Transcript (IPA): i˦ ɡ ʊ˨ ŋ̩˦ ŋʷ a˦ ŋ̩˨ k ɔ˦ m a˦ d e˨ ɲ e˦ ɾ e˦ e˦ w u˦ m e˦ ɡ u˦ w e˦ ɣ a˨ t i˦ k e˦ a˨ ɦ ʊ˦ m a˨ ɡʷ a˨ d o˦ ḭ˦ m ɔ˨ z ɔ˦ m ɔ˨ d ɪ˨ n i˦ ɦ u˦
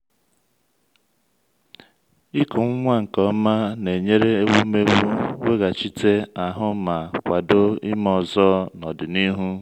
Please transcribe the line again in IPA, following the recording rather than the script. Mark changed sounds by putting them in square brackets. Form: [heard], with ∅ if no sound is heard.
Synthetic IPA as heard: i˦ [k] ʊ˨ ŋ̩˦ ŋʷ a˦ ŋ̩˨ k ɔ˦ m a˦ [n] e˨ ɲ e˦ ɾ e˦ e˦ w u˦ m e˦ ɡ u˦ w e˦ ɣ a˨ [t͡ʃ] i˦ [t] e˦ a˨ ɦ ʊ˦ m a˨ [kʷ] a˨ d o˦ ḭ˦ m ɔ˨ z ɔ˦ [n] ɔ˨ d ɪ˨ n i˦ ɦ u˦